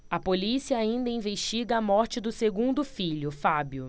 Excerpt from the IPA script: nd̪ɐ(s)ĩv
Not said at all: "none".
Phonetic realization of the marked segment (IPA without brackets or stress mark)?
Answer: none